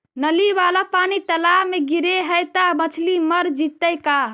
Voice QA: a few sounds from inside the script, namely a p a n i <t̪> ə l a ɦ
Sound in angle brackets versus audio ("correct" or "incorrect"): correct